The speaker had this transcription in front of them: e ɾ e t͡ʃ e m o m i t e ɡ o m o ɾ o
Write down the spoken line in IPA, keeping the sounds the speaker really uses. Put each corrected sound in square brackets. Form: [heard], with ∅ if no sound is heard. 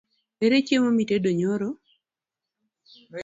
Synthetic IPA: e ɾ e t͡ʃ e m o m i t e [d] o [ɲ] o ɾ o